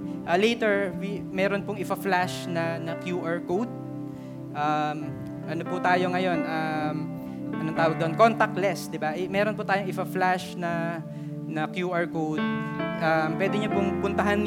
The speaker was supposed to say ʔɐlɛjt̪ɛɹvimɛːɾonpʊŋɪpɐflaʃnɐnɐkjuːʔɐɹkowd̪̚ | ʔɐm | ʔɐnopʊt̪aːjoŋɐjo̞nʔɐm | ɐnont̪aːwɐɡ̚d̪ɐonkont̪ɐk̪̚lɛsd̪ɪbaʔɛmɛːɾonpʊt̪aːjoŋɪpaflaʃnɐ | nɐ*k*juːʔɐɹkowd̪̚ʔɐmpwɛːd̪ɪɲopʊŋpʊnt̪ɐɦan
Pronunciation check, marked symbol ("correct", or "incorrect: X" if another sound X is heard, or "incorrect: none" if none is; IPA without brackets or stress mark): correct